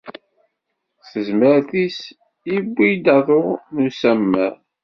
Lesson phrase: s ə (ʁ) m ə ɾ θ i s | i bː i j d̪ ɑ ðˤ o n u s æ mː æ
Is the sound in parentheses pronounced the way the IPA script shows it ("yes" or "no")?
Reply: no